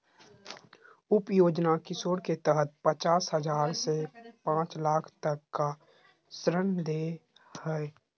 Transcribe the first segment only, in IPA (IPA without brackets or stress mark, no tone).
ʊ